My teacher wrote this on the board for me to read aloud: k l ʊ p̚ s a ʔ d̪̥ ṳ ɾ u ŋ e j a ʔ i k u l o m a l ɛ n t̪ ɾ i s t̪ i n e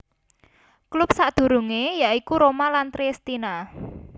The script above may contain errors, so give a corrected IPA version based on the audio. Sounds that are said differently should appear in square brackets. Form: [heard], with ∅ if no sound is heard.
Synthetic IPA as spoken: k l ʊ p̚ s a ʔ d̪̥ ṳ ɾ u ŋ e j a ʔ i k u [ɾ] o m a l [a] n t̪ ɾ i s t̪ i n [a]